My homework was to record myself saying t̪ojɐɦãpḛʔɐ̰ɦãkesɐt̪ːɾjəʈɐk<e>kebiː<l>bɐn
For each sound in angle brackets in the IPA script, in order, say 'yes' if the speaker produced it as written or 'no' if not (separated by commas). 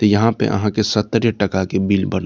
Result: no, yes